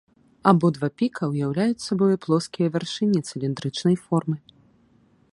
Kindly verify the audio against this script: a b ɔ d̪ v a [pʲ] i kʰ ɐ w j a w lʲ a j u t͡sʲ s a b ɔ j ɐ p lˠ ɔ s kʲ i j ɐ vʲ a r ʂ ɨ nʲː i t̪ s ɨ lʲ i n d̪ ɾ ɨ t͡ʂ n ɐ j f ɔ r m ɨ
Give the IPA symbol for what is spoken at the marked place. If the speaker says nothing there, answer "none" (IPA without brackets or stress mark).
pʲ